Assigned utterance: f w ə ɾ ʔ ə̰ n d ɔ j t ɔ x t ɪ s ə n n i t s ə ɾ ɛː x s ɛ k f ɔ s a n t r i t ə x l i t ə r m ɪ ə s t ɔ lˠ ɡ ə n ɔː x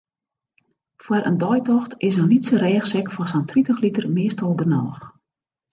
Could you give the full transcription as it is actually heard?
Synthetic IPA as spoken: f w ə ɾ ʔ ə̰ n d ɔ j t ɔ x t ɪ s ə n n i t s ə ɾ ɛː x s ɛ k f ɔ s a n t r i t ə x l i t ə r m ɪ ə s t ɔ lˠ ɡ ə n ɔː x